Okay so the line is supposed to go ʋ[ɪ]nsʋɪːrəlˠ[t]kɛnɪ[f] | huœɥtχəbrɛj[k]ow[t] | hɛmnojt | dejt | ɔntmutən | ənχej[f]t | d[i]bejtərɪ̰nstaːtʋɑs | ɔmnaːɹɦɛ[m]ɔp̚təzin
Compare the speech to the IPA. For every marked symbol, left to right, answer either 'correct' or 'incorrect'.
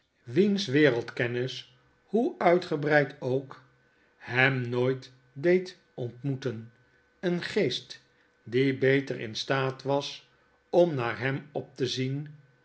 incorrect, correct, incorrect, incorrect, incorrect, incorrect, correct, correct

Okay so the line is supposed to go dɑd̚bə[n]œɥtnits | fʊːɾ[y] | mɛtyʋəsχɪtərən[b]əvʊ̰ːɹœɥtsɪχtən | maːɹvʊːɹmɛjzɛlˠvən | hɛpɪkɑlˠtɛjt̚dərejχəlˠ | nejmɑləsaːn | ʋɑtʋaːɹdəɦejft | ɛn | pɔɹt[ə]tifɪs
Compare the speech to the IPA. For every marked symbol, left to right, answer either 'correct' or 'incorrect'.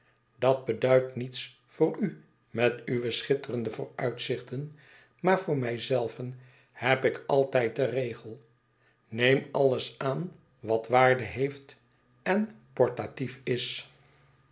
incorrect, correct, incorrect, incorrect

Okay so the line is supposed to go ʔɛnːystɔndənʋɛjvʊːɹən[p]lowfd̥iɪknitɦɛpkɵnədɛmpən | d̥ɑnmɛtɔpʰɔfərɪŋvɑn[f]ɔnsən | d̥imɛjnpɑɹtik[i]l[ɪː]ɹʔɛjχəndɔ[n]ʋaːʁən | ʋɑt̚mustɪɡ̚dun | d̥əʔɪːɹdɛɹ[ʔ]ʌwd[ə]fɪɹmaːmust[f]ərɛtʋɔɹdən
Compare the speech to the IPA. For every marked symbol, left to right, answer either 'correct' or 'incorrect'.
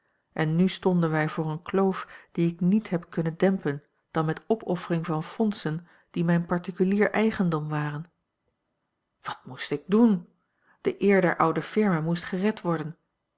incorrect, correct, incorrect, incorrect, incorrect, correct, correct, incorrect

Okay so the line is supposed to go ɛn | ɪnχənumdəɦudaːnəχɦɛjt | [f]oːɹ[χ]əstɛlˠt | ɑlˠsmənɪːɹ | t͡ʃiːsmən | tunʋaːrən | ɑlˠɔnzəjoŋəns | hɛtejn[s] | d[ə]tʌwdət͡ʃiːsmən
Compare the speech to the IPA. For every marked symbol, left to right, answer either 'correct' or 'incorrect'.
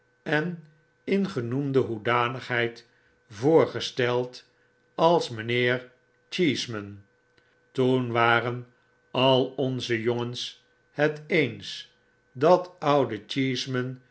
incorrect, correct, correct, incorrect

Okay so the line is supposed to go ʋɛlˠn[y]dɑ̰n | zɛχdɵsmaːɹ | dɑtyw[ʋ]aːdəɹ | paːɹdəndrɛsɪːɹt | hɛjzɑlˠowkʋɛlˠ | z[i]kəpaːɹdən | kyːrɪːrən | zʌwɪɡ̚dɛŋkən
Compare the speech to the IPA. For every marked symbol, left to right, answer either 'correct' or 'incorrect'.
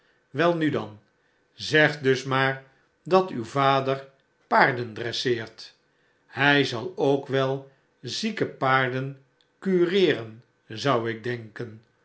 correct, incorrect, correct

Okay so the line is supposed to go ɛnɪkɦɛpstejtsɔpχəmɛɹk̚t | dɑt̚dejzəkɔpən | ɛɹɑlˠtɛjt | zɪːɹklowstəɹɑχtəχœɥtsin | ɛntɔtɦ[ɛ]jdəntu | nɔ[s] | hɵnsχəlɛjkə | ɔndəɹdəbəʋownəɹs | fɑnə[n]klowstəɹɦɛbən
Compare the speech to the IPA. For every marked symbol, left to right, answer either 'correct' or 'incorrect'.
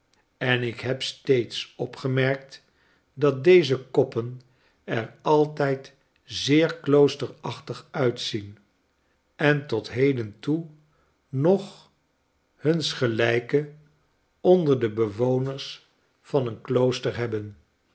incorrect, incorrect, correct

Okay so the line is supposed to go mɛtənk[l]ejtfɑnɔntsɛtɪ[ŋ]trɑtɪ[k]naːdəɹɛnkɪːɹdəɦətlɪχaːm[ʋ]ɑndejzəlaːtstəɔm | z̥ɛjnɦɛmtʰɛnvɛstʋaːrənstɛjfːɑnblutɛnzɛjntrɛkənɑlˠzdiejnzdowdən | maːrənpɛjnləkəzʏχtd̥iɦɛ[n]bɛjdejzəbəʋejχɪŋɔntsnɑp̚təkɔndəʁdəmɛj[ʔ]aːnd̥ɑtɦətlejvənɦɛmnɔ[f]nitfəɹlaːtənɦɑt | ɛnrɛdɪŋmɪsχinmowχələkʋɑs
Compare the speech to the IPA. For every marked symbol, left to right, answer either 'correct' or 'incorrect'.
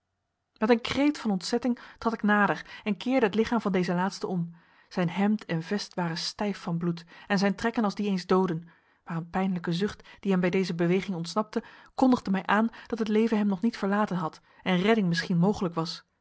incorrect, correct, correct, incorrect, incorrect, correct, incorrect

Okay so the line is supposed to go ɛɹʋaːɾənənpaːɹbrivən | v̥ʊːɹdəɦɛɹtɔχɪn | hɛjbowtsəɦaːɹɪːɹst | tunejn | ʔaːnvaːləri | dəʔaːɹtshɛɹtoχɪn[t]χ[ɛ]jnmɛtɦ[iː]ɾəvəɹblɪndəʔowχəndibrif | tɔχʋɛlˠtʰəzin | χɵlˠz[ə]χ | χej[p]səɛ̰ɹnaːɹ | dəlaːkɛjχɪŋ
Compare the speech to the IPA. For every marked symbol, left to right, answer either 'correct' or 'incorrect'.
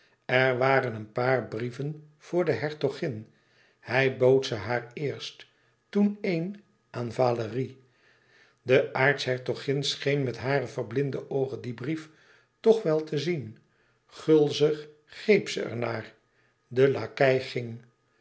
incorrect, incorrect, incorrect, correct, correct

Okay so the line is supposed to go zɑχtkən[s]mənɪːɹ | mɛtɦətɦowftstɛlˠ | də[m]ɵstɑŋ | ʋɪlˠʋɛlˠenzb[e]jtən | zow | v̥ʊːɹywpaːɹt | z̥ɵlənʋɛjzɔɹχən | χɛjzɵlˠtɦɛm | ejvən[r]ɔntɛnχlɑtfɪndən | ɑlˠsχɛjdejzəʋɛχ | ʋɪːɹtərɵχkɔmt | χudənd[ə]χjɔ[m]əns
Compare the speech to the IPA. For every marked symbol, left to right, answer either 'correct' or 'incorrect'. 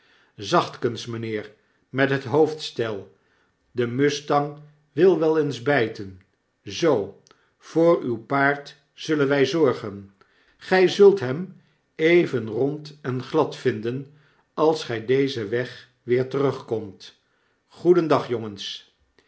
correct, correct, incorrect, correct, incorrect, incorrect

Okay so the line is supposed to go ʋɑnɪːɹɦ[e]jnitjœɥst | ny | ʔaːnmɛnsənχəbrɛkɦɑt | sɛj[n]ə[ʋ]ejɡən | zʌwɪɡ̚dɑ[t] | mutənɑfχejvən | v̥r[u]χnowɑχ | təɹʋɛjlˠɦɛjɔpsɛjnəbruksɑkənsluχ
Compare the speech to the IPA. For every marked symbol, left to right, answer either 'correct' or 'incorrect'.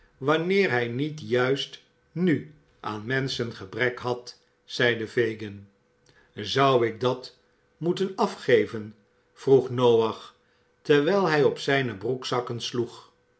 incorrect, incorrect, incorrect, correct, correct

